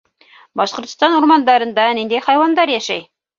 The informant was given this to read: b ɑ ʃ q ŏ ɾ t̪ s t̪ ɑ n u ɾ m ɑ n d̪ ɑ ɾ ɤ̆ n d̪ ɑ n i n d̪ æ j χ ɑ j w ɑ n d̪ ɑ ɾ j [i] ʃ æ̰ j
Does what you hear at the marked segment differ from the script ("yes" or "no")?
yes